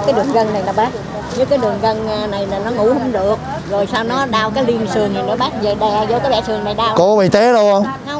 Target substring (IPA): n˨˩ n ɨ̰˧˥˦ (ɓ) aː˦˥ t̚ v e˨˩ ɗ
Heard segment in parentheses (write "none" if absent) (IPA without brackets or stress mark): ɓ